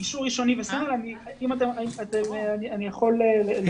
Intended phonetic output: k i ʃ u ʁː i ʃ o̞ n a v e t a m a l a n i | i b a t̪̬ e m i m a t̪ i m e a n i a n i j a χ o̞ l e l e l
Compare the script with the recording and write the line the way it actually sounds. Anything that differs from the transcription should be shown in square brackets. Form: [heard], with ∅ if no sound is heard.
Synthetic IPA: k i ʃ u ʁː i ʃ o̞ n [i] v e [s] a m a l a n i | i [m] a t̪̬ e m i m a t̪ [e] m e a n i a n i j a χ o̞ l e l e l